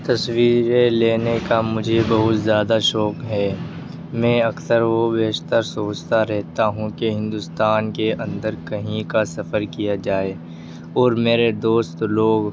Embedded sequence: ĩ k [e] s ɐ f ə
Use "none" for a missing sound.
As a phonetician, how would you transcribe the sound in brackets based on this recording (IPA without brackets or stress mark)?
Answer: a